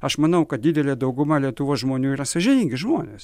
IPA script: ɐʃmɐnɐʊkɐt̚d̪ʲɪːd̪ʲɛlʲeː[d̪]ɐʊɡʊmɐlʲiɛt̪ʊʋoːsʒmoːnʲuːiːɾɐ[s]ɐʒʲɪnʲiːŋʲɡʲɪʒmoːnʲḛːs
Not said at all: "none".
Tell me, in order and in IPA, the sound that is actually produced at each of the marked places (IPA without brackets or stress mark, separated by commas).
d̪, s